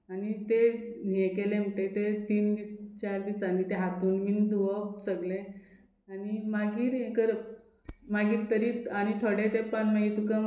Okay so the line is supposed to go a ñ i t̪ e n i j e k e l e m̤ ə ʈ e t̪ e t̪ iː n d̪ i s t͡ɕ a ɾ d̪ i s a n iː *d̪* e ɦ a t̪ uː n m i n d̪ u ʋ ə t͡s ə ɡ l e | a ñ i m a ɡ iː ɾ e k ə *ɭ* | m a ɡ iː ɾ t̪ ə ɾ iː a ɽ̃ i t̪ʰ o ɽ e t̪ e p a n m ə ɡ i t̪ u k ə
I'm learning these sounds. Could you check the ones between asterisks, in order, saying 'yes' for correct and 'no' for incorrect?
no, no

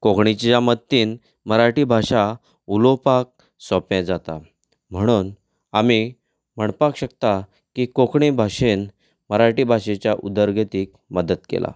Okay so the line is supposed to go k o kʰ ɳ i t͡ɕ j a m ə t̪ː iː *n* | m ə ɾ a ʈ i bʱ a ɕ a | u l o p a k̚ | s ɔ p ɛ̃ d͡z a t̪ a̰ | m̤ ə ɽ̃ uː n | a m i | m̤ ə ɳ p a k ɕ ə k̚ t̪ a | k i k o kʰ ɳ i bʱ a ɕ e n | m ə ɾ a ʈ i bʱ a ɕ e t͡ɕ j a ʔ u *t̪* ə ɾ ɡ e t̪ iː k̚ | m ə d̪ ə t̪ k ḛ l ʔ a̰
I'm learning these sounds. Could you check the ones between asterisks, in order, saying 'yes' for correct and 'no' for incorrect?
yes, no

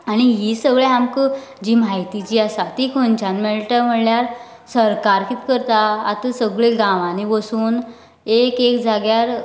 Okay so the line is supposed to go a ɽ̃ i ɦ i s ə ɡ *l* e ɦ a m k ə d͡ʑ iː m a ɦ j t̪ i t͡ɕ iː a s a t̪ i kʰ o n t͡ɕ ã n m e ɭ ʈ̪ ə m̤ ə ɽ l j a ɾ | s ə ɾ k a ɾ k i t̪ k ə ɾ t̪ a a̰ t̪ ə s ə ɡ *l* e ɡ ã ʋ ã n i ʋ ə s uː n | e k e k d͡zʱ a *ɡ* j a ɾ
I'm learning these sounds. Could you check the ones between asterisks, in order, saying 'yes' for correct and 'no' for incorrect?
no, no, yes

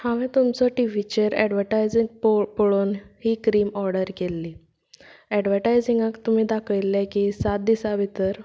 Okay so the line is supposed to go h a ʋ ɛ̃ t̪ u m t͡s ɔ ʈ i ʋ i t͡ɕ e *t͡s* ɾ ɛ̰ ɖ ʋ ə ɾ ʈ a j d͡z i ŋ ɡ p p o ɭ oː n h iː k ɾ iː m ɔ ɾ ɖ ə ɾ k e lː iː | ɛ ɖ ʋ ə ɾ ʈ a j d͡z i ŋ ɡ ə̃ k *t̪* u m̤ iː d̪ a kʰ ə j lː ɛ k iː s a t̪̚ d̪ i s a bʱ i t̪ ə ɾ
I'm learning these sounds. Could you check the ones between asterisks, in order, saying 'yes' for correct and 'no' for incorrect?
no, yes

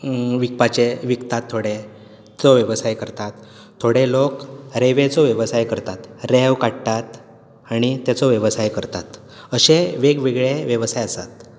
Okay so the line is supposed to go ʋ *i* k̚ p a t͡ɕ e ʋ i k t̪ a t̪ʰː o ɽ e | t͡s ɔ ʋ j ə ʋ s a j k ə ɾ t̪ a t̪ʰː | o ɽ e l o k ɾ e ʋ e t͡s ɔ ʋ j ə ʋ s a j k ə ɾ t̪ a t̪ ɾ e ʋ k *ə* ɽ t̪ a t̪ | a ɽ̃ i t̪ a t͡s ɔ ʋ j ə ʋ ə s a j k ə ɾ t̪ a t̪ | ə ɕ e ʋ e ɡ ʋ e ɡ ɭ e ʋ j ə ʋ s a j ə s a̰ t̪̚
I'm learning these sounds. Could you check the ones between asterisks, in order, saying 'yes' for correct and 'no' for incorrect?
yes, no

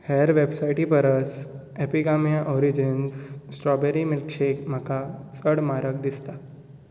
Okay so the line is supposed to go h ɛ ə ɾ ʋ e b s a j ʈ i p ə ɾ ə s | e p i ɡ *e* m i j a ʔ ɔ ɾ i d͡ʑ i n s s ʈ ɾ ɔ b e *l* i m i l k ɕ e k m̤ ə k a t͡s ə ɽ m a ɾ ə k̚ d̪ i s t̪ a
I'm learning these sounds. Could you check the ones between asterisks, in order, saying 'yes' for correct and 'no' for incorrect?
no, no

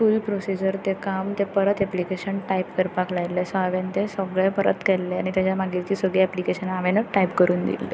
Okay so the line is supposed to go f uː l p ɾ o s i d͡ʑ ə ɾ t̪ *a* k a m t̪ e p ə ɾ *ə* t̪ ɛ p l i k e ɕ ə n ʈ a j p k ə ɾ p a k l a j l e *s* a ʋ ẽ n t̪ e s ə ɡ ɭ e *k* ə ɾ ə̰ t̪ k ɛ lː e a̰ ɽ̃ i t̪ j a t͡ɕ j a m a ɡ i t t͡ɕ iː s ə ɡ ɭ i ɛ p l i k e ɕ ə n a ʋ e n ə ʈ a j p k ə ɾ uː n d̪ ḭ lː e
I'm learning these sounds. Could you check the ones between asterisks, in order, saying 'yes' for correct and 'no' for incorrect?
no, yes, yes, no

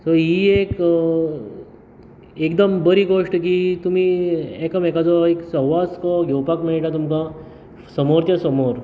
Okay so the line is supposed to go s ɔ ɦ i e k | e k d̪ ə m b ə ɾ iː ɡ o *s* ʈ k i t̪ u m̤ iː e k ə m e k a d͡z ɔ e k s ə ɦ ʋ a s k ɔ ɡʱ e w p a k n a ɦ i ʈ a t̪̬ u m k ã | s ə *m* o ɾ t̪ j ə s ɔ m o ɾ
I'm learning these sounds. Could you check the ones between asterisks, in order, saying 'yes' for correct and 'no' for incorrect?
no, yes

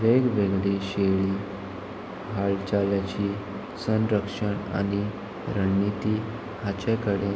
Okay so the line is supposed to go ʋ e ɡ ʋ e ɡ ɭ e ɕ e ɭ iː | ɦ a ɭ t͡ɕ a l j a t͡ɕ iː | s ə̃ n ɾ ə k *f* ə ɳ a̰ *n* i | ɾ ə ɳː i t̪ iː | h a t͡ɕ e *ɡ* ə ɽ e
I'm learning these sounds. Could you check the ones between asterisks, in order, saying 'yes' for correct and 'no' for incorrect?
no, yes, no

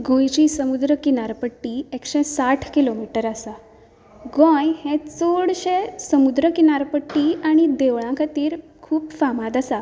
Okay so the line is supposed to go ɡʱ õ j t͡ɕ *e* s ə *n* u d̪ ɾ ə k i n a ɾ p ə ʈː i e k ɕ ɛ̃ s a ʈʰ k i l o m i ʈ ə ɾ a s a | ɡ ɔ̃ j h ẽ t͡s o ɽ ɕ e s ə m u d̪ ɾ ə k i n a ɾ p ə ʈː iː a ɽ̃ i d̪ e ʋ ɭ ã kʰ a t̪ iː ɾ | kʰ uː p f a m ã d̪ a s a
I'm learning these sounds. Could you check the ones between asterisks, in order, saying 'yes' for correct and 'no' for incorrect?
no, no

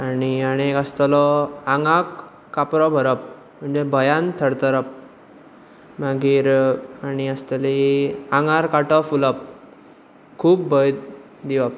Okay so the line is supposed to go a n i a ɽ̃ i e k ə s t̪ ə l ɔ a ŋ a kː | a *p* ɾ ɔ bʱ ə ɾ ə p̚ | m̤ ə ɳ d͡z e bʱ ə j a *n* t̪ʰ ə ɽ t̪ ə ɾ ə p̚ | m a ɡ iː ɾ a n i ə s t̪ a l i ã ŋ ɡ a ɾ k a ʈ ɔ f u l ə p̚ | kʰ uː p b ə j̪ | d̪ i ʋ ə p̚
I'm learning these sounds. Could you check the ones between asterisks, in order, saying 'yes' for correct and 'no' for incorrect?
yes, yes

